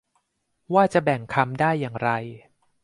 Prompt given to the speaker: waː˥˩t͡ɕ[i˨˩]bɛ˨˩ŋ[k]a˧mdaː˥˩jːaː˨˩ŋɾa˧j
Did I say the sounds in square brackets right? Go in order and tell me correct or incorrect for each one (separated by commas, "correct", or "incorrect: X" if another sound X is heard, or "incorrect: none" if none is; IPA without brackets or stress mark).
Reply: incorrect: a˨˩, incorrect: kʰ